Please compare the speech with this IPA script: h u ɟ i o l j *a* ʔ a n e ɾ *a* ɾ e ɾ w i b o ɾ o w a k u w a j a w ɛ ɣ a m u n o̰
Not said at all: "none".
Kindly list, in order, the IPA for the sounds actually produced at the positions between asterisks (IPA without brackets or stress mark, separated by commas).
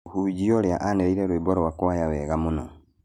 a, i